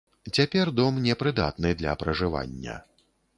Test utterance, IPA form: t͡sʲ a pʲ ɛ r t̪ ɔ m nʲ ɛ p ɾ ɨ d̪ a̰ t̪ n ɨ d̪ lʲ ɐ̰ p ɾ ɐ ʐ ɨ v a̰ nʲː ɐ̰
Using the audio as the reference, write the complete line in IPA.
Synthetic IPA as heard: t͡sʲ a pʲ ɛ r d̪ ɔ m nʲ ɛ p ɾ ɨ d̪ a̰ t̪ n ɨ d̪ lʲ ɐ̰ p ɾ ɐ ʐ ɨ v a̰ nʲː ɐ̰